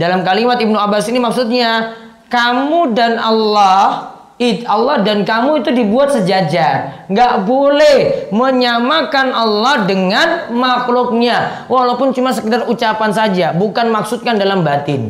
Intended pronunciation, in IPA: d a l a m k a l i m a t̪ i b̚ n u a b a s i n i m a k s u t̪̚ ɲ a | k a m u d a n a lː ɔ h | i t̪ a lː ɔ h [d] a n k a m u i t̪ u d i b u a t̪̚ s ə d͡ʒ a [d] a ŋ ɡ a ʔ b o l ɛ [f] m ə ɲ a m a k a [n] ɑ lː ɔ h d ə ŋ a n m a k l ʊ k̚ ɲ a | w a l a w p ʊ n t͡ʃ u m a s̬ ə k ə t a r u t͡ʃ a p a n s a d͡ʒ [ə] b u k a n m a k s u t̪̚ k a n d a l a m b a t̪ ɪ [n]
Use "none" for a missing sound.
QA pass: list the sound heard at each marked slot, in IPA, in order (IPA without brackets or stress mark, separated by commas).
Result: d, d͡ʒ, h, n, a, n